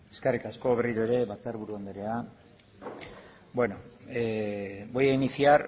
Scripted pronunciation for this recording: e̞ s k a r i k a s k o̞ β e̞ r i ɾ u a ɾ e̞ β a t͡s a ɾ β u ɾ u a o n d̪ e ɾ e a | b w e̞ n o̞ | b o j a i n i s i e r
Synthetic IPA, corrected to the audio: e̞ s k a r i k a s k o̞ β e̞ r i ɾ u e ɾ e̞ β a t͡s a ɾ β u ɾ u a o n d̪ e ɾ e a | b w e̞ n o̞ | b o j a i n i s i a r